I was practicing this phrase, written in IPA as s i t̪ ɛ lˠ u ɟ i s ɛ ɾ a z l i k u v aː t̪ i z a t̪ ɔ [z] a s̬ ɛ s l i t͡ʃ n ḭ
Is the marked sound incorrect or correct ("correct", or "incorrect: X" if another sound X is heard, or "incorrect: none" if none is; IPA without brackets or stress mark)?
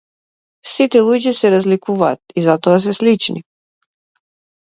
incorrect: none